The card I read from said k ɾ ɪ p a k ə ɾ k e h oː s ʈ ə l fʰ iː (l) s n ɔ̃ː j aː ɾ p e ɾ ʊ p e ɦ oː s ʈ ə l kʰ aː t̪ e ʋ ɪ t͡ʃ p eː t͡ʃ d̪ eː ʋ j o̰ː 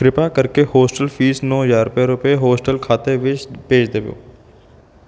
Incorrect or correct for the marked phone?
incorrect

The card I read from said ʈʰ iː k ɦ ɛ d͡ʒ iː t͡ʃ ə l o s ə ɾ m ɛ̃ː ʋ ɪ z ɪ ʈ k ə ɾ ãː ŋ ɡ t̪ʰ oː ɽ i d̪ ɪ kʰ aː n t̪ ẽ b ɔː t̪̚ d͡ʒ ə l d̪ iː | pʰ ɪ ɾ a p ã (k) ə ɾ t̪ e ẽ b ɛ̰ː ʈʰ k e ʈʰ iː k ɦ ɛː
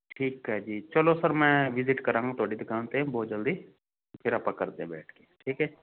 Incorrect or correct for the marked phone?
correct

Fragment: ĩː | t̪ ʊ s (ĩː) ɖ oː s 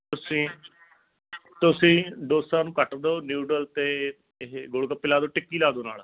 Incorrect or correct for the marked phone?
correct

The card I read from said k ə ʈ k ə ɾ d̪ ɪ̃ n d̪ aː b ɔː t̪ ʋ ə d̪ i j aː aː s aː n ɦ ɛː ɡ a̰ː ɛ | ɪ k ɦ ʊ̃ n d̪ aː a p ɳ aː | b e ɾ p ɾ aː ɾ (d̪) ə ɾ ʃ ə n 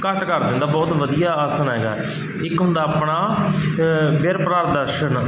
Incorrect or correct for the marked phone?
correct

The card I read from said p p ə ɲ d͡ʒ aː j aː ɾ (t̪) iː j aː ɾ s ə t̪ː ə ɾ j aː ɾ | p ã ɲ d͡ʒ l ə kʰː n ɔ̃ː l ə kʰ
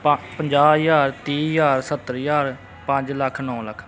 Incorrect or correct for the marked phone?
correct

